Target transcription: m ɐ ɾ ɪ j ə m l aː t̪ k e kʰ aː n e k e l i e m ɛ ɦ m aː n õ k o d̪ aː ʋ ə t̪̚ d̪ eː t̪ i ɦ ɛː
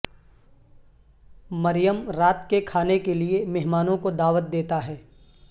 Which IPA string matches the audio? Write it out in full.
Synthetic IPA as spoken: m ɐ ɾ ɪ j ə m ɾ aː t̪ k e kʰ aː n e k e l i e m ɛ ɦ m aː n õ k o d̪ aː ʋ ə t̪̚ d̪ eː t̪ a ɦ ɛː